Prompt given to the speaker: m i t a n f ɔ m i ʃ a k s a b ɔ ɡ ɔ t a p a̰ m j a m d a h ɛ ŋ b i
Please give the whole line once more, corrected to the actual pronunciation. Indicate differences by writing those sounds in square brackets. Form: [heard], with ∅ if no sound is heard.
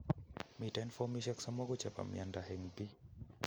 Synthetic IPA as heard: m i t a n f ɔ m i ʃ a k s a [m] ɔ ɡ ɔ [t͡ʃ] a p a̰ m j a [n] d a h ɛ ŋ b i